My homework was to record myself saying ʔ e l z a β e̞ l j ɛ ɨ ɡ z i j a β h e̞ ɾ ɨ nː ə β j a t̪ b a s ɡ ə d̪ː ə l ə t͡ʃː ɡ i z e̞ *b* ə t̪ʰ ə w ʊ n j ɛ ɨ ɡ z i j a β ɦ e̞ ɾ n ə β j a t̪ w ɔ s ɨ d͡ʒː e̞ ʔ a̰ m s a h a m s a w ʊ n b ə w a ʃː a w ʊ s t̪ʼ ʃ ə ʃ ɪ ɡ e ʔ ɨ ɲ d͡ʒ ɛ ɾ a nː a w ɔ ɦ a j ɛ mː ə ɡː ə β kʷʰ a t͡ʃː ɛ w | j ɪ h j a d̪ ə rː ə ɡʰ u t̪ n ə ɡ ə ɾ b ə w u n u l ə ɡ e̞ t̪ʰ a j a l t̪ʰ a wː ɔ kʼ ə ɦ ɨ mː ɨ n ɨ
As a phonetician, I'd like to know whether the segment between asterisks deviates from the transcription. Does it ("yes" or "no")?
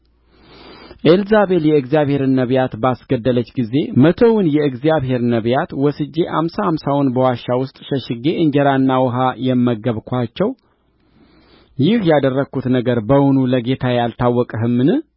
yes